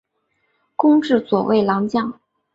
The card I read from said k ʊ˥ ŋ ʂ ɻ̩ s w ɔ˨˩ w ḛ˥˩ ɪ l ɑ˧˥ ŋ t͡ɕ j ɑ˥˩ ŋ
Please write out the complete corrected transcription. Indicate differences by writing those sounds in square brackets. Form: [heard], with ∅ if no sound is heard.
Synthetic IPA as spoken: k ʊ˥ ŋ [ʈ͡ʂ] ɻ̩ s w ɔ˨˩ w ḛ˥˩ ɪ l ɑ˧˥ ŋ t͡ɕ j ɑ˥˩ ŋ